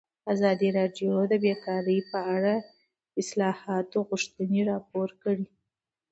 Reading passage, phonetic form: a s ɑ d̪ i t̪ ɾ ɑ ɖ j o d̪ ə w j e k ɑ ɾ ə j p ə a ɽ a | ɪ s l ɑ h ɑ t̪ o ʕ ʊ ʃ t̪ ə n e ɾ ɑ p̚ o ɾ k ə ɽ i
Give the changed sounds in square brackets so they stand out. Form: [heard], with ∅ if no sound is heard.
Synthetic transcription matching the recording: a [z] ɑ d̪ i [∅] ɾ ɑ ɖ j o d̪ ə [b] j e k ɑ ɾ ə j p ə a ɽ a | ɪ s l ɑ h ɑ t̪ o [ɣ] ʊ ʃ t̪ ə n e ɾ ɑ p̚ o ɾ k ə ɽ i